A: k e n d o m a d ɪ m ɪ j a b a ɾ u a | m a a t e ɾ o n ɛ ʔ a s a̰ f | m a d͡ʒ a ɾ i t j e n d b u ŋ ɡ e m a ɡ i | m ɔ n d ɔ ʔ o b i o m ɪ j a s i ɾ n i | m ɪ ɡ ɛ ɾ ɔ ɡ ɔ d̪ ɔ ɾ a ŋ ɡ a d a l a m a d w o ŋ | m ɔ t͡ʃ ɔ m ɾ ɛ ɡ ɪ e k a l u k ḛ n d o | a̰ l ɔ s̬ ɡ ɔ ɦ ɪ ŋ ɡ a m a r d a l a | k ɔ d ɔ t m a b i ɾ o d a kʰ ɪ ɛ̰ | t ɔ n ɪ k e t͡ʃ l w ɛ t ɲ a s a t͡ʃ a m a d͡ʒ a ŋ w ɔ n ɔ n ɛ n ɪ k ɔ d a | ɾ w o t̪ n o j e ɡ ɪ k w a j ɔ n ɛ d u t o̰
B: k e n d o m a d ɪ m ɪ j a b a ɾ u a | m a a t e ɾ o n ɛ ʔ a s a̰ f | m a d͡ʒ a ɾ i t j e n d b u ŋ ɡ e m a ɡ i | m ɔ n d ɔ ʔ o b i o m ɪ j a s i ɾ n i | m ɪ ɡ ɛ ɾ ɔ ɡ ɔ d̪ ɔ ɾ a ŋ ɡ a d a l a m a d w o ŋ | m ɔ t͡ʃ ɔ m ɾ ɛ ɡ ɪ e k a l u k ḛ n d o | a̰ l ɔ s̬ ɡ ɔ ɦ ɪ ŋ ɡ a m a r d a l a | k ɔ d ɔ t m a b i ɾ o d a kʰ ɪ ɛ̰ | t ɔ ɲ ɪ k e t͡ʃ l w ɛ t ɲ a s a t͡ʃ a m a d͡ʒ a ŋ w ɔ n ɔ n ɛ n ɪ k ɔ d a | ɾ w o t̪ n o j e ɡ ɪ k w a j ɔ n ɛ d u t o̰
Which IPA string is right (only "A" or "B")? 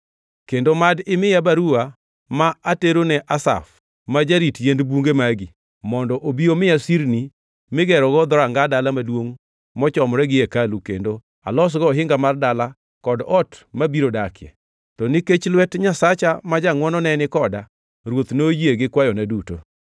A